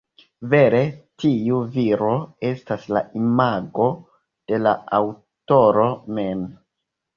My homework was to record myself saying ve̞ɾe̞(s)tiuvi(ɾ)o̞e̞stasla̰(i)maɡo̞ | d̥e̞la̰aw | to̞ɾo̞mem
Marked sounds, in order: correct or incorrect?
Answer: incorrect: none, correct, correct

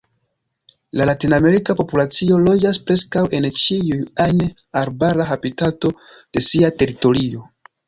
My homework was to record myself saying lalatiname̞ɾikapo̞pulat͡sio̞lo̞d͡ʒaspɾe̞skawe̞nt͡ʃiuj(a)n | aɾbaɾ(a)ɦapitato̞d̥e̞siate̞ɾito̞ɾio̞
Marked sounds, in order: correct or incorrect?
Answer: correct, correct

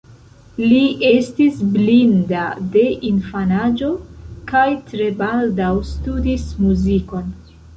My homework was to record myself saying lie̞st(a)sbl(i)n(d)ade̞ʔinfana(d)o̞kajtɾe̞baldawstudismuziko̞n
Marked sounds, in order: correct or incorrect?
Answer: incorrect: i, correct, correct, incorrect: d͡ʒ

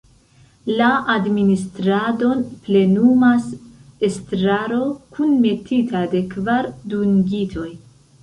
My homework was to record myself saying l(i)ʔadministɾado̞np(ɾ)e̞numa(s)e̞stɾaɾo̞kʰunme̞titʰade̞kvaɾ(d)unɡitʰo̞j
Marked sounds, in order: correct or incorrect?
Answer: incorrect: a, incorrect: l, correct, correct

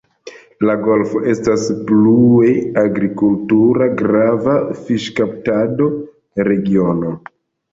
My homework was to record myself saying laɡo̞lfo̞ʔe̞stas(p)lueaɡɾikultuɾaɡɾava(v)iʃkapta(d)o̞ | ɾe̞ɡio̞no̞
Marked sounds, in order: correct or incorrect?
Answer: correct, incorrect: f, correct

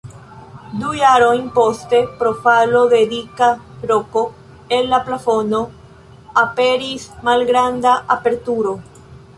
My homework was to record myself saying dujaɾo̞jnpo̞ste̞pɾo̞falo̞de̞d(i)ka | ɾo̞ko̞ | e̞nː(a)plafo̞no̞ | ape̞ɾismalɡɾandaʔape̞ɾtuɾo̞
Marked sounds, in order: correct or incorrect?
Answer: correct, correct

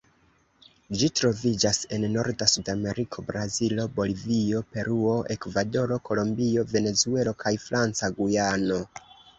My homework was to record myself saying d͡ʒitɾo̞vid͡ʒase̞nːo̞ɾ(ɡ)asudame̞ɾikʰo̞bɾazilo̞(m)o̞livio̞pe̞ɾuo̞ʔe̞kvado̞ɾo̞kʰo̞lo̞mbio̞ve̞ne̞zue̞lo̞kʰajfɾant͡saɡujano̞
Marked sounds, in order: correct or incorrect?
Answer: incorrect: d, incorrect: b

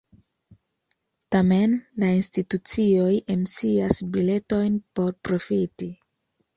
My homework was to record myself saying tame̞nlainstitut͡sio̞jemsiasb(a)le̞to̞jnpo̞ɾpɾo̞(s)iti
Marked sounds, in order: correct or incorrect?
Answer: incorrect: i, incorrect: f

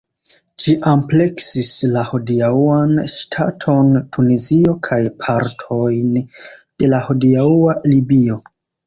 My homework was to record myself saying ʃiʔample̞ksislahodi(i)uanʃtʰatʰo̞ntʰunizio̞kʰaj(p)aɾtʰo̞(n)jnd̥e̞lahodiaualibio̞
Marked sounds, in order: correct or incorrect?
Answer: incorrect: a, incorrect: pʰ, incorrect: none

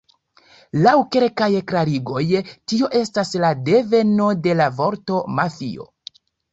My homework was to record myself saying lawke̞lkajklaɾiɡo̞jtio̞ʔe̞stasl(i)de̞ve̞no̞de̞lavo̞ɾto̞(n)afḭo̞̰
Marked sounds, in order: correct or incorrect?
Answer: incorrect: a, incorrect: m

